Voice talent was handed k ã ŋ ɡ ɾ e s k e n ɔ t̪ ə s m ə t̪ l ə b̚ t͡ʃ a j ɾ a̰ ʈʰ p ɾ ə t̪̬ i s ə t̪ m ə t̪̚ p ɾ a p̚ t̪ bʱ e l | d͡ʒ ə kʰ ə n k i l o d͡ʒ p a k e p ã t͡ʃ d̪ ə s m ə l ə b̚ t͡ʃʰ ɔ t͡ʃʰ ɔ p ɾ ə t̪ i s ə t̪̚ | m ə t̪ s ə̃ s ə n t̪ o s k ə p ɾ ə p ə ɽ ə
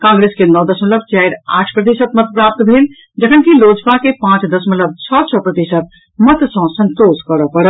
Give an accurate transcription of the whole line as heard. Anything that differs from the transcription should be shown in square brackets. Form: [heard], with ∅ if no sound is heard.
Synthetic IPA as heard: k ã ŋ ɡ ɾ e s k e n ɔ [d̪] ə s m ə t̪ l ə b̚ t͡ʃ a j ɾ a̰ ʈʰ p ɾ ə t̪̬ i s ə t̪ m ə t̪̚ p ɾ a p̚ t̪ bʱ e l | d͡ʒ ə kʰ ə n k i l o d͡ʒ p a k e p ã t͡ʃ d̪ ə s m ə l ə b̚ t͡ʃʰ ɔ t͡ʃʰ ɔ p ɾ ə t̪ i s ə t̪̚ | m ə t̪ s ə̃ s ə n t̪ o s k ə [∅] ɾ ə p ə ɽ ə

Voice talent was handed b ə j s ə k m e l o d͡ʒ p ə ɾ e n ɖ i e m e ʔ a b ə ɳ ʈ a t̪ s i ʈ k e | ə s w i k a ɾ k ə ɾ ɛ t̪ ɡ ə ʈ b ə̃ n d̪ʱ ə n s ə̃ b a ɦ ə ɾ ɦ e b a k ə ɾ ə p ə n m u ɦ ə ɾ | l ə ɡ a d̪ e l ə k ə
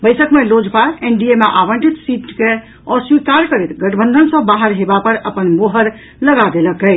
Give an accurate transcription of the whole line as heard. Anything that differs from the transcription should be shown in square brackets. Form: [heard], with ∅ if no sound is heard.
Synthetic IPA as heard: b ə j s ə k m e l o d͡ʒ p [a] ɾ e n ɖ i e m e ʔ a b ə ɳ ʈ [i] t̪ s i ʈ k e | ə s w i k a ɾ k ə ɾ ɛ t̪ ɡ ə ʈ b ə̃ n d̪ʱ ə n s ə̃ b a ɦ ə ɾ ɦ e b a [p] ə ɾ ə p ə n m [o] ɦ ə ɾ | l ə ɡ a d̪ e l ə k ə

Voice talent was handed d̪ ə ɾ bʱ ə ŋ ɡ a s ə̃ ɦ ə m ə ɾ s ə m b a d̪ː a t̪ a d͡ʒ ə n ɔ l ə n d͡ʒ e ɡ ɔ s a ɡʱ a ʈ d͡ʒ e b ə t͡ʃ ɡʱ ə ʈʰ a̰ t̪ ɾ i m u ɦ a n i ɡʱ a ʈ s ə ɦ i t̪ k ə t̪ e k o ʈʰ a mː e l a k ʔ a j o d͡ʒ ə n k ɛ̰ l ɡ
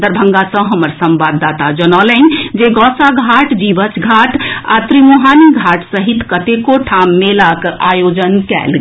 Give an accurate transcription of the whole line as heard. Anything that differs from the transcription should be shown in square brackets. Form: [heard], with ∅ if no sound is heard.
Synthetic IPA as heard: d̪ ə ɾ bʱ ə ŋ ɡ a s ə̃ ɦ ə m ə ɾ s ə m b a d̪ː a t̪ a d͡ʒ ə n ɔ l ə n d͡ʒ e ɡ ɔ s a ɡʱ a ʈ d͡ʒ [i] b ə t͡ʃ ɡʱ [a] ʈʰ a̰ t̪ ɾ i m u ɦ a n i ɡʱ a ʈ s ə ɦ i t̪ k ə t̪ e k o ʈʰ a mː e l a k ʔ a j o d͡ʒ ə n k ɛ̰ l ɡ

